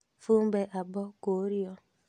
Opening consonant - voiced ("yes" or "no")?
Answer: no